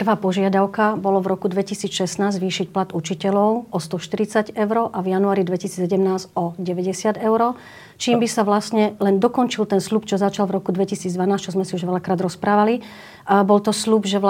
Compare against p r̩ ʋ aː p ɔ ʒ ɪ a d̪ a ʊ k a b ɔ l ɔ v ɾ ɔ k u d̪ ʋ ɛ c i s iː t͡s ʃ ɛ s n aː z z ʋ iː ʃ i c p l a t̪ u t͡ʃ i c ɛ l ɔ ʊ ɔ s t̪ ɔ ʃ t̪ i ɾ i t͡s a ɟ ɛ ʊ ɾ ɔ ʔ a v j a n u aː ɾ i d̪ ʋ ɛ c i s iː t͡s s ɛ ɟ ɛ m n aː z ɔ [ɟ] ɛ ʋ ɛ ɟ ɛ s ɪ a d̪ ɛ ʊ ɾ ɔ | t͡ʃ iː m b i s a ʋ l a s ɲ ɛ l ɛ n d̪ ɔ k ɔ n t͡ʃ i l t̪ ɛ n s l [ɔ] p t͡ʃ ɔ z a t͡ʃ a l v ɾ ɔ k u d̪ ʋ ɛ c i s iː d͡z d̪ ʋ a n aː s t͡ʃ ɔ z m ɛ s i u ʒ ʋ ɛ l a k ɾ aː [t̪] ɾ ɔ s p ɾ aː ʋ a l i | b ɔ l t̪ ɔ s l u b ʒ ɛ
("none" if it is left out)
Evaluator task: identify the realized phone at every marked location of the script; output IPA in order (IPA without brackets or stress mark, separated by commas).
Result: ɟ, u, d̪